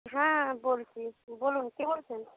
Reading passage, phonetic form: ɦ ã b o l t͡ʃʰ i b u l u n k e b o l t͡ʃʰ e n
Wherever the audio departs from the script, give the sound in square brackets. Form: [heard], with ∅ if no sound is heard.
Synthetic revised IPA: ɦ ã b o l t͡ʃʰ i b [o] l u n k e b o l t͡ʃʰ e n